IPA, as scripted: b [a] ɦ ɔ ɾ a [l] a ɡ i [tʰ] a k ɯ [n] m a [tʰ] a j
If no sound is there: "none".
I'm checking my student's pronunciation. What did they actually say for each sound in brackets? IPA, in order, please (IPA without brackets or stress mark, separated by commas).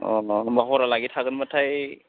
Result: a, l, tʰ, n, tʰ